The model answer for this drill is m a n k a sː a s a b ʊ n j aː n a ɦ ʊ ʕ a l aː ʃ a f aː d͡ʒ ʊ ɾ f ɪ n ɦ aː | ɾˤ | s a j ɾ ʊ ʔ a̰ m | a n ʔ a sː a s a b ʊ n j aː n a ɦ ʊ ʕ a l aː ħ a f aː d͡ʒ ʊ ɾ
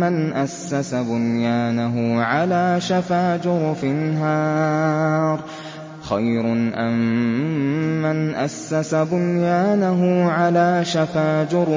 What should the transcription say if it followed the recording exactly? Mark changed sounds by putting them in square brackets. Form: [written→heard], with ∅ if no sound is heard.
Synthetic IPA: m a n [k→ʔ] a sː a s a b ʊ n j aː n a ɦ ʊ ʕ a l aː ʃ a f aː d͡ʒ ʊ ɾ f ɪ n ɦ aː | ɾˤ | [s→x] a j ɾ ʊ ʔ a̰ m | a n ʔ a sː a s a b ʊ n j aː n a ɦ ʊ ʕ a l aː [ħ→ʃ] a f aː d͡ʒ ʊ ɾ